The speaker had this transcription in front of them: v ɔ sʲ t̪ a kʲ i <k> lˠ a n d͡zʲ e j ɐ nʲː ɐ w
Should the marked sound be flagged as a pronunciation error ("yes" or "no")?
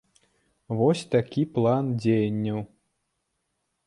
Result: yes